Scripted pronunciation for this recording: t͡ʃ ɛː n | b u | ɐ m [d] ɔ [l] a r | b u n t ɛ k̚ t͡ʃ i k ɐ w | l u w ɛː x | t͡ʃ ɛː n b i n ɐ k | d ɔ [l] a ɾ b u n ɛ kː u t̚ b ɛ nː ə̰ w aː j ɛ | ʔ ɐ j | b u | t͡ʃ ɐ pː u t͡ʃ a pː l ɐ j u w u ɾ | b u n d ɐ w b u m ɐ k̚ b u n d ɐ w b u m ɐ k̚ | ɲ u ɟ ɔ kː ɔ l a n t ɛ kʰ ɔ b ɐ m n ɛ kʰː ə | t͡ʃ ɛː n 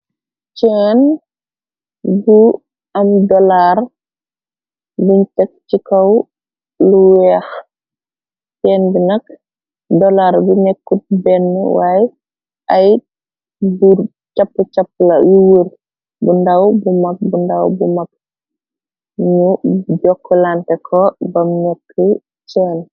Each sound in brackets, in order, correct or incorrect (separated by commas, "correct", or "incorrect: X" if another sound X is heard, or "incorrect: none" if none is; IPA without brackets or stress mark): correct, correct, correct